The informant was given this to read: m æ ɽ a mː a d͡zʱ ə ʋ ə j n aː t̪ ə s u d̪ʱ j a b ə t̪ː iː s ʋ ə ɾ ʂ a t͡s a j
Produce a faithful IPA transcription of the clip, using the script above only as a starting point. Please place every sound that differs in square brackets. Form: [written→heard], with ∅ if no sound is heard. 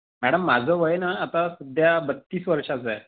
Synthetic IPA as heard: m æ ɽ [a→ə] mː a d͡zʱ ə ʋ ə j n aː t̪ [ə→a] s u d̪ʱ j a b ə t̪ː iː s ʋ ə ɾ ʂ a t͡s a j